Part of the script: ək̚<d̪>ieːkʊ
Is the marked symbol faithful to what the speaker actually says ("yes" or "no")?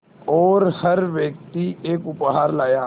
no